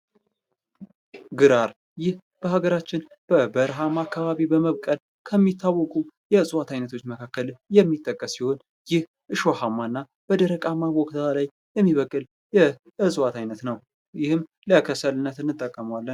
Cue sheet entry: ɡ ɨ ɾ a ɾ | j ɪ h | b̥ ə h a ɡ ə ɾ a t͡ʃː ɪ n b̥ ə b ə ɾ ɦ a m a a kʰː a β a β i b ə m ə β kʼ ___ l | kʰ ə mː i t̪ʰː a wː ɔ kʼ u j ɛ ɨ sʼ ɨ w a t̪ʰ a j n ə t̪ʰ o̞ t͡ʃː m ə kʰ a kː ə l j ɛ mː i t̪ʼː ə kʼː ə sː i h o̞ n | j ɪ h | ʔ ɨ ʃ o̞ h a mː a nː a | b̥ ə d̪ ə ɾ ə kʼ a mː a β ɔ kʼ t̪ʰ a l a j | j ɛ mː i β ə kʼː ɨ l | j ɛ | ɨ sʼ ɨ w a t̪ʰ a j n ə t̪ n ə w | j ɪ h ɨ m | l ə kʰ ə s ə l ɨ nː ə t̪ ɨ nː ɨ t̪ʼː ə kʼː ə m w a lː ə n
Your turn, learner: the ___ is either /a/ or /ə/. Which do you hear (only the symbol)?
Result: ə